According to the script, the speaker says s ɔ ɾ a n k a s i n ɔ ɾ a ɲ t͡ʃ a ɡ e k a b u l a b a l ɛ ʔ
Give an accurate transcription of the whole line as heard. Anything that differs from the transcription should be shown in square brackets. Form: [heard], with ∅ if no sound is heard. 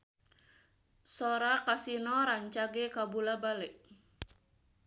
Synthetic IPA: s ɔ ɾ a [∅] k a s i n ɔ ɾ a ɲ t͡ʃ a ɡ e k a b u l a b a l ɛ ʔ